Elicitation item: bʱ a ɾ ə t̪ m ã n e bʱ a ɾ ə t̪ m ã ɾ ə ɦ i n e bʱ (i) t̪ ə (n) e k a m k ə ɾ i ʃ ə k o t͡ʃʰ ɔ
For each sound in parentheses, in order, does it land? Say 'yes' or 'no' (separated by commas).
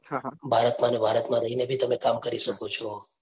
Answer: yes, no